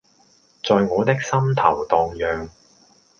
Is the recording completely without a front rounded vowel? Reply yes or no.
no